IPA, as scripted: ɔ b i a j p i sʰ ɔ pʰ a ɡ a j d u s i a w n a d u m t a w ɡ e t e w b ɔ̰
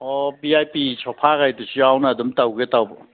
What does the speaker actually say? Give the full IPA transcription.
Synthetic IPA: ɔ b i a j p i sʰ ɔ pʰ a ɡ a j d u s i a w n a d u m t a w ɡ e t a w b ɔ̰